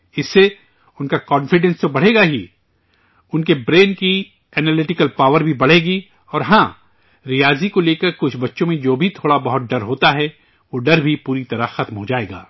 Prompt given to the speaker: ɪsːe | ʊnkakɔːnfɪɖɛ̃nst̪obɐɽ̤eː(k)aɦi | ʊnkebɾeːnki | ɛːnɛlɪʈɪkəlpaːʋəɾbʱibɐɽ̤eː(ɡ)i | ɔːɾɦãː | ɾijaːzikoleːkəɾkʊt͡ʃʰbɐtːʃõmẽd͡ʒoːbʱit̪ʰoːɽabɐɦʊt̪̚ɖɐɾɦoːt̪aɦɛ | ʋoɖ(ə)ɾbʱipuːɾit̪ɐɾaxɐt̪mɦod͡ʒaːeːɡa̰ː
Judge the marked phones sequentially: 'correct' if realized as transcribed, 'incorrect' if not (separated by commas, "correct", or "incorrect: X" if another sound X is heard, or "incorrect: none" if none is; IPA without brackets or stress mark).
incorrect: ɡ, correct, incorrect: ɐ